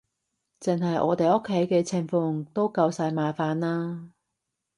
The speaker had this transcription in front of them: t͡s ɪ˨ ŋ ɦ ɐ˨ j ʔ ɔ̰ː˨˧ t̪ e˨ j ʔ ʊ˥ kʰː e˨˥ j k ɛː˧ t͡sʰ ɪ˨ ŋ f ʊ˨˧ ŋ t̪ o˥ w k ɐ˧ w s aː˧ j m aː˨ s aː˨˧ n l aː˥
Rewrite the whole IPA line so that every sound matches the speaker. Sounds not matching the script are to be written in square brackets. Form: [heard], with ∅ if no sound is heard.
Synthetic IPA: t͡s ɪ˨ ŋ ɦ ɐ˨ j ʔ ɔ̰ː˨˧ t̪ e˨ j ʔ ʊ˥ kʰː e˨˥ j k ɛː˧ t͡sʰ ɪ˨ ŋ f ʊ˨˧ ŋ t̪ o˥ w k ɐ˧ w s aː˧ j m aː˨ [f] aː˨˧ n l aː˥